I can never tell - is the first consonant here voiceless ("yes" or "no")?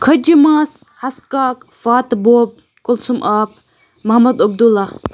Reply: yes